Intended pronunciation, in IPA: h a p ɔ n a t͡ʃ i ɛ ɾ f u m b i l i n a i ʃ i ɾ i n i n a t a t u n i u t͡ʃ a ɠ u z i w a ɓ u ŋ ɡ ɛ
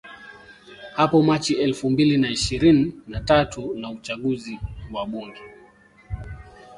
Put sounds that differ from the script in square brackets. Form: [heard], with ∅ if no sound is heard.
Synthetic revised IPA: h a p ɔ [m] a t͡ʃ i ɛ [l] f u m b i l i n a i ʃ i ɾ i n i n a t a t u n [a] u t͡ʃ a ɠ u z i w a ɓ u ŋ ɡ ɛ